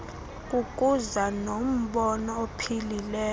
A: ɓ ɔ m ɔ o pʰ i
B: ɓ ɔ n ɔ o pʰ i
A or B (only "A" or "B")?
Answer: B